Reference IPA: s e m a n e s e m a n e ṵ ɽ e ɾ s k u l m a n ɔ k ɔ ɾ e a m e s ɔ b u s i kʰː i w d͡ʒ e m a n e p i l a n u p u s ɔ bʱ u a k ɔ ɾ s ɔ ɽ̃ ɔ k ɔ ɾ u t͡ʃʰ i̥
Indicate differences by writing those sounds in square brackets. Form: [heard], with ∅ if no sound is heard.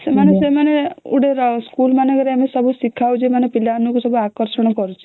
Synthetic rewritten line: s e m a n e s e m a n e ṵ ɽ e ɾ s k u l m a n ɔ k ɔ ɾ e a m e s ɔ b u s i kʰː [a] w d͡ʒ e m a n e p i l a n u [k] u s ɔ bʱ u a k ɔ ɾ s ɔ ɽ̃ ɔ k ɔ ɾ u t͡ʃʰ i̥